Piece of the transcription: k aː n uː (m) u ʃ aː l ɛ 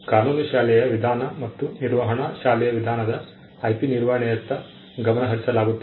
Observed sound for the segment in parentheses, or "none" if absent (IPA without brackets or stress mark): n